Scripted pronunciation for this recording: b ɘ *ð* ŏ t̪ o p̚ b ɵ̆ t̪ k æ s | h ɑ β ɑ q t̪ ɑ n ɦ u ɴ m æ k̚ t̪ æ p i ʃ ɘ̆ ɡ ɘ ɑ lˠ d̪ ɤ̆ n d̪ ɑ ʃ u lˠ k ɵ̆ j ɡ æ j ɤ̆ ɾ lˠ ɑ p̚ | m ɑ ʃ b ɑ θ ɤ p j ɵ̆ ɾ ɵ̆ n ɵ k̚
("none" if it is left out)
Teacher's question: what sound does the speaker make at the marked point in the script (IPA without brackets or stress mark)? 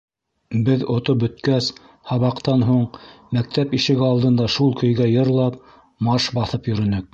ð